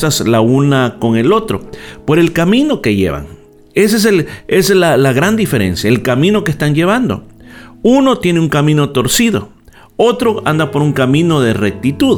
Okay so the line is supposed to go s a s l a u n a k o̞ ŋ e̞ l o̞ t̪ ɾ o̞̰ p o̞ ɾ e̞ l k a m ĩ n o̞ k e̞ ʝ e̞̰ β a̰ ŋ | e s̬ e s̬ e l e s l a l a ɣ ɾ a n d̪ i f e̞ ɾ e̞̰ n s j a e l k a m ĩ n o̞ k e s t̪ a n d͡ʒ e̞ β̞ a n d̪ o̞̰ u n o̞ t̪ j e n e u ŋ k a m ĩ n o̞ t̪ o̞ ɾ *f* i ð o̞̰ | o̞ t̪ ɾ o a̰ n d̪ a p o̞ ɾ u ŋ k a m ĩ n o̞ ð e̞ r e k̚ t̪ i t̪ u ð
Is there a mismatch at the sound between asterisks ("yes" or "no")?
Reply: yes